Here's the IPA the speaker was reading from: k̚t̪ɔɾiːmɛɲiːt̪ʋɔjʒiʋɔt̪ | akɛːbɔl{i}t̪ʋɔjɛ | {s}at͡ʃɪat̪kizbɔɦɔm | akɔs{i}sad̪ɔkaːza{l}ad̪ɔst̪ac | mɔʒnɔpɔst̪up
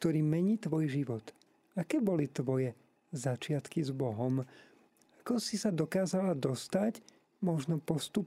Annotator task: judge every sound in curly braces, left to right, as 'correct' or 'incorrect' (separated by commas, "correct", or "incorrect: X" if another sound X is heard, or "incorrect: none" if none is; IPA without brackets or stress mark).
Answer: correct, incorrect: z, correct, correct